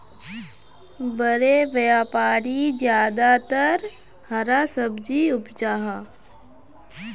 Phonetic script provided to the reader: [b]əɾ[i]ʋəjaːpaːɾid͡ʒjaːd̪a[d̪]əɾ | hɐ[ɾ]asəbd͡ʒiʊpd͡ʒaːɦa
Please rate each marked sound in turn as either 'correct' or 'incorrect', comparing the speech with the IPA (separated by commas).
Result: correct, incorrect, incorrect, correct